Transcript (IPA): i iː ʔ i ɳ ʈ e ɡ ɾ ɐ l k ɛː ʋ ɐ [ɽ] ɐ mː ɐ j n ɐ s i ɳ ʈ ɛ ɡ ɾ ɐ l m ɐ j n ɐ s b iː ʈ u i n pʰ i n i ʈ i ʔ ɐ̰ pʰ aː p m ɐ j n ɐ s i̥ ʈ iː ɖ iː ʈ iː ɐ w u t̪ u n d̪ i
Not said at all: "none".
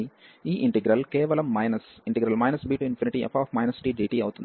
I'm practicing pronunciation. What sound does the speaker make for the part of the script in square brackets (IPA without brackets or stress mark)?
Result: l